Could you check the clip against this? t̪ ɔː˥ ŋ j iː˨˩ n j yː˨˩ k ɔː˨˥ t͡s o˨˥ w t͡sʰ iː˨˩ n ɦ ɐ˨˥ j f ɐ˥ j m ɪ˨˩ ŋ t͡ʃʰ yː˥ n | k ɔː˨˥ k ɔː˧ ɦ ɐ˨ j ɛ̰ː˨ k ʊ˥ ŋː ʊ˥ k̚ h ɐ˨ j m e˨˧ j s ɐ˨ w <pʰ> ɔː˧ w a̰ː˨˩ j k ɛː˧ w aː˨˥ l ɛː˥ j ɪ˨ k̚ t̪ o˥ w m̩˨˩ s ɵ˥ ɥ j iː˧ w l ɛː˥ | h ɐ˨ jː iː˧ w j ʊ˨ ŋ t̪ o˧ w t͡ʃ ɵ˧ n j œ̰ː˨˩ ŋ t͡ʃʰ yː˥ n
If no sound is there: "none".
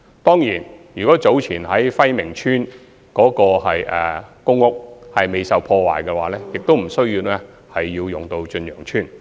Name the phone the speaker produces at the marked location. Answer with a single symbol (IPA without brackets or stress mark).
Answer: pʰ